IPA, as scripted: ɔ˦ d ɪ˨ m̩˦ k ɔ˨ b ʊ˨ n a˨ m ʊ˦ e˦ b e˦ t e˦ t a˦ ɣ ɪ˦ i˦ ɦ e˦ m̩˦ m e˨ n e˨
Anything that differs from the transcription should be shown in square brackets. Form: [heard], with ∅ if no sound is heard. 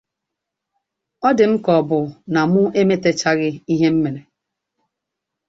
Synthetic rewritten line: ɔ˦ d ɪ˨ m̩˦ k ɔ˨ b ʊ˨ n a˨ m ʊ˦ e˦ [m] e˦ t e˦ [t͡ʃ] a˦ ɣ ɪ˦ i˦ ɦ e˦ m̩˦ m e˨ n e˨